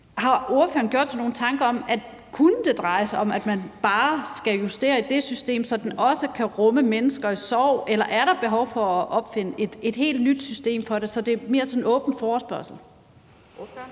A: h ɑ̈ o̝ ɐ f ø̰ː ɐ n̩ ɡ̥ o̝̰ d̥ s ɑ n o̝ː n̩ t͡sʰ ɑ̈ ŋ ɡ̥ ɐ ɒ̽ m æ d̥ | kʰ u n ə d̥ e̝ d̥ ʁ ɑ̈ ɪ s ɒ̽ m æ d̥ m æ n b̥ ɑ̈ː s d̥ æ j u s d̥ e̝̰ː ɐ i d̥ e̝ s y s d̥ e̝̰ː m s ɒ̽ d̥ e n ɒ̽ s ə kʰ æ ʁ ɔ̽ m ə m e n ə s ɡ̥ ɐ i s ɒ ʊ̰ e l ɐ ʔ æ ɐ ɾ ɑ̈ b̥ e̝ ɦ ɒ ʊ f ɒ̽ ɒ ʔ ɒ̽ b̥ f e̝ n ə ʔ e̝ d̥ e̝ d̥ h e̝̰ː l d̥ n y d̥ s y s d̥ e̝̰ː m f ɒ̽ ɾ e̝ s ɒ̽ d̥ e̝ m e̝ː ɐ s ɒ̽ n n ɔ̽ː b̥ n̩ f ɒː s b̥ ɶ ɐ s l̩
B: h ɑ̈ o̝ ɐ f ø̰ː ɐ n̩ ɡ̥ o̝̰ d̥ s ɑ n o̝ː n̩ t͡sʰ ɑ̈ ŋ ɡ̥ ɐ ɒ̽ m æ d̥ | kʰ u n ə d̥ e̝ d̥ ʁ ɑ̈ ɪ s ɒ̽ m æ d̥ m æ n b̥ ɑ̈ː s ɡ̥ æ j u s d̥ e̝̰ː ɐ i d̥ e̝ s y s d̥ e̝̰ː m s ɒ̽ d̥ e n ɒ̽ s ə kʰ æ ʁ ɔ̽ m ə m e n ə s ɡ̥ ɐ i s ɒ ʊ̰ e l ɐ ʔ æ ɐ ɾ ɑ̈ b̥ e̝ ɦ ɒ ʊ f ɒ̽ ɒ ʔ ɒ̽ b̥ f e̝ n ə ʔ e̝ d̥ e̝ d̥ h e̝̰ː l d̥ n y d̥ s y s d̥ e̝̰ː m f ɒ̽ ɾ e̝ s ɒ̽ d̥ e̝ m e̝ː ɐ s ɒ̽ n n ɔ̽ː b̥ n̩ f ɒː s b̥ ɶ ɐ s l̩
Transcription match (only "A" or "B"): B